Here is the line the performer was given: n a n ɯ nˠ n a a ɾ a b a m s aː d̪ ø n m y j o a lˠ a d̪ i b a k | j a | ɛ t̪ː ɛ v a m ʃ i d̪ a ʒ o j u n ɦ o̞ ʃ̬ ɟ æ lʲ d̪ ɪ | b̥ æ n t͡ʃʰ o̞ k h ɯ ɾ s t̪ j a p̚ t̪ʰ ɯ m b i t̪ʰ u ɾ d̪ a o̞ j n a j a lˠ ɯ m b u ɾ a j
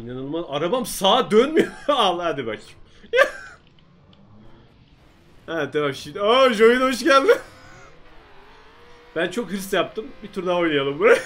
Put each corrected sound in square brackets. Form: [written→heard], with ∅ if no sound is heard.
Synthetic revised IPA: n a n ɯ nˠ [n→m] a a ɾ a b a m s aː d̪ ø n m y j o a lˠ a d̪ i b a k | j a | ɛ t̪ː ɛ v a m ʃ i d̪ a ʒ o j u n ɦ o̞ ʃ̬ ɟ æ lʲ d̪ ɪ | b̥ æ n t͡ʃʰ o̞ k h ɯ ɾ s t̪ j a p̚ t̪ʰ ɯ m b i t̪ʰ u ɾ d̪ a o̞ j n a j a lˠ ɯ m b u ɾ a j

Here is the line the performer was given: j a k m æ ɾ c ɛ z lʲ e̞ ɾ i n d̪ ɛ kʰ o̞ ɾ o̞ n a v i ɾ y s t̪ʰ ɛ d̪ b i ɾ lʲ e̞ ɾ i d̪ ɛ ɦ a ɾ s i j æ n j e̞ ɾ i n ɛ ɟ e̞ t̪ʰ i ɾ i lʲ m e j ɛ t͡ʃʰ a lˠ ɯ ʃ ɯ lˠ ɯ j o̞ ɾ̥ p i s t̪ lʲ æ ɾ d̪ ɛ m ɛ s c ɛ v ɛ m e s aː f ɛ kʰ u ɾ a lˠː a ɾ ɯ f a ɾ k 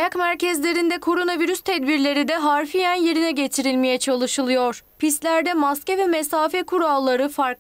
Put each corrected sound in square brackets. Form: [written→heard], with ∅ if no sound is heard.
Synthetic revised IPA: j a k m æ ɾ c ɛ z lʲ e̞ ɾ i n d̪ ɛ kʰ o̞ ɾ o̞ n a v i ɾ y s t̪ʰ ɛ d̪ b i ɾ lʲ e̞ ɾ i d̪ ɛ ɦ a ɾ [s→f] i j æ n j e̞ ɾ i n ɛ ɟ e̞ t̪ʰ i ɾ i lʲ m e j ɛ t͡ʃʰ a lˠ ɯ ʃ ɯ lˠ ɯ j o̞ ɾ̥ p i s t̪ lʲ æ ɾ d̪ ɛ m [ɛ→a] s c ɛ v ɛ m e s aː f ɛ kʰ u ɾ a lˠː a ɾ ɯ f a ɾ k

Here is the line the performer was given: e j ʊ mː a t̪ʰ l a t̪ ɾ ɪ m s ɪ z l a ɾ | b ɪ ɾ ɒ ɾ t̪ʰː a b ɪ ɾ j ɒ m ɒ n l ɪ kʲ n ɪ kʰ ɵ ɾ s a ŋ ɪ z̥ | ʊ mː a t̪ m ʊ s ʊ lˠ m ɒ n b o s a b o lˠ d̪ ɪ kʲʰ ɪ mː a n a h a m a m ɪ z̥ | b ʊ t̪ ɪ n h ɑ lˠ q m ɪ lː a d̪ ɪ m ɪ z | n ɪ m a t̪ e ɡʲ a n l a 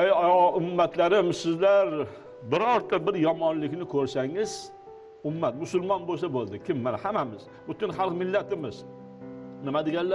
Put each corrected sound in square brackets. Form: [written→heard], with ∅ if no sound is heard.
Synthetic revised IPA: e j ʊ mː a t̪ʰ l a [t̪→∅] ɾ ɪ m s ɪ z l a ɾ | b ɪ ɾ ɒ ɾ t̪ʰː a b ɪ ɾ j ɒ m ɒ n l ɪ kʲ n ɪ kʰ ɵ ɾ s a ŋ ɪ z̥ | ʊ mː a t̪ m ʊ s ʊ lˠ m ɒ n b o s a b o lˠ d̪ ɪ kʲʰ ɪ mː a n a h a m a m ɪ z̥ | b ʊ t̪ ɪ n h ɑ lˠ q m ɪ lː a [d̪→t̪] ɪ m ɪ z | n ɪ m a [t̪→d̪] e ɡʲ a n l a

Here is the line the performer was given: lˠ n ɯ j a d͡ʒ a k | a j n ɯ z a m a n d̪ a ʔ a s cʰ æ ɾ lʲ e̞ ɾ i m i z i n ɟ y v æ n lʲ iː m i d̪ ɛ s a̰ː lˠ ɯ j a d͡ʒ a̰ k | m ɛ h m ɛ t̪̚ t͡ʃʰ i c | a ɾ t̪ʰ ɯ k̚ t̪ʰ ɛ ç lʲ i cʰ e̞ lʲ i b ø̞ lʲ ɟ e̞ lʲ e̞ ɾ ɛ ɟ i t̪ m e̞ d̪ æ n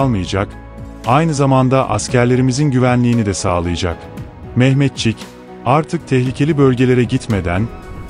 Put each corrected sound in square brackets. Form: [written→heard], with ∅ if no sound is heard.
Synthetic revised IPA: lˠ [n→m] ɯ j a d͡ʒ a k | a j n ɯ z a m a n d̪ a ʔ a s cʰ æ ɾ lʲ e̞ ɾ i m i z i n ɟ y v æ n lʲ iː [m→n] i d̪ ɛ s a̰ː lˠ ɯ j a d͡ʒ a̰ k | m ɛ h m ɛ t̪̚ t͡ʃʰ i c | a ɾ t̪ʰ ɯ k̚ t̪ʰ ɛ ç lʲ i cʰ e̞ lʲ i b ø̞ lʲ ɟ e̞ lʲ e̞ ɾ ɛ ɟ i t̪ m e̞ d̪ æ n

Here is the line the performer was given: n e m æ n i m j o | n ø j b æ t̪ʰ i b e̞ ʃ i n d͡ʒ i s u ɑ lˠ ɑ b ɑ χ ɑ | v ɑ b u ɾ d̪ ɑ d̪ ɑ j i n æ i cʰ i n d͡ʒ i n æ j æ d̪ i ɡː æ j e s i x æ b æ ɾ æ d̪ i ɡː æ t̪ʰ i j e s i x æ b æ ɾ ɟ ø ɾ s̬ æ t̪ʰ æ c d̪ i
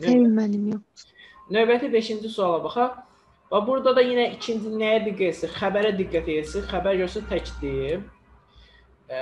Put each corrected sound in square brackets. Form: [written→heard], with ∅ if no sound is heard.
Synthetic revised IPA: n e m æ n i m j o | n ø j b æ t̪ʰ i b e̞ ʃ i n d͡ʒ i s u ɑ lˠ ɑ b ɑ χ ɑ | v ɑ b u ɾ d̪ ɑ d̪ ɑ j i n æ i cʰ i n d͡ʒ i n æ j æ d̪ i ɡː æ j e s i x æ b æ ɾ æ d̪ i ɡː æ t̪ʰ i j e s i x æ b æ ɾ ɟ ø ɾ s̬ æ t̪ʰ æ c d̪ i

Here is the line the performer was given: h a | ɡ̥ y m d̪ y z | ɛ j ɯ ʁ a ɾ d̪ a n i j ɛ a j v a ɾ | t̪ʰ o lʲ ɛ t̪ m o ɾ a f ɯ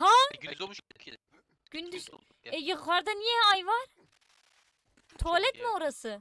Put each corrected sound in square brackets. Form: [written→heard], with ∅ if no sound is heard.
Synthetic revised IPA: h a | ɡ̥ y [m→n] d̪ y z | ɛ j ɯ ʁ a ɾ d̪ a n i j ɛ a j v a ɾ | t̪ʰ o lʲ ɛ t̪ m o ɾ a [f→s] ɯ

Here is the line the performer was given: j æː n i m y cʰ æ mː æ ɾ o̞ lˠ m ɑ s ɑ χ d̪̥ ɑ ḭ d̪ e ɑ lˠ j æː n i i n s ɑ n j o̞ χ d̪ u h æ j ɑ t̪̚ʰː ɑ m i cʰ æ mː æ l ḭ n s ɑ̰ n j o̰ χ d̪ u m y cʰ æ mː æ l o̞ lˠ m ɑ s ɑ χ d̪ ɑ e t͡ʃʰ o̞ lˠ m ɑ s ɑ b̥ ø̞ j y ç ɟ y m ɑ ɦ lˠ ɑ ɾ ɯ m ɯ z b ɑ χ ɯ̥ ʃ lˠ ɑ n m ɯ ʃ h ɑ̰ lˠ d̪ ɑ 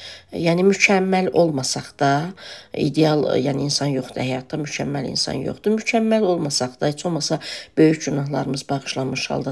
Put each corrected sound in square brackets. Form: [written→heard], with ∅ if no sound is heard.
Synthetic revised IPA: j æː n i m y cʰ æ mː æ [ɾ→l] o̞ lˠ m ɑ s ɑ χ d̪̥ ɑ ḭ d̪ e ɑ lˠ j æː n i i n s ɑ n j o̞ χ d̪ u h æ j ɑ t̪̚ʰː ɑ m [i→y] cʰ æ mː æ l ḭ n s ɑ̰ n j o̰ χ d̪ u m y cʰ æ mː æ l o̞ lˠ m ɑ s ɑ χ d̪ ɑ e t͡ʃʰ o̞ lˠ m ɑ s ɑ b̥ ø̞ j y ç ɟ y [m→n] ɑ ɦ lˠ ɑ ɾ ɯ m ɯ z b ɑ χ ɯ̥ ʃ lˠ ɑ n m ɯ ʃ h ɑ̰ lˠ d̪ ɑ

